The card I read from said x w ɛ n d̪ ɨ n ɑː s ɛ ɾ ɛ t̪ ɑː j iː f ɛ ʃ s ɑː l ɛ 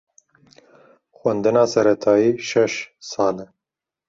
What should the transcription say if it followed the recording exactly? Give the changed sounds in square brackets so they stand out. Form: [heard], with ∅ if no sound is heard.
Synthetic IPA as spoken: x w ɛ n d̪ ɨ n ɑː s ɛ ɾ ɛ [t̪ʰ] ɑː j iː [ʃ] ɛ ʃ s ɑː l ɛ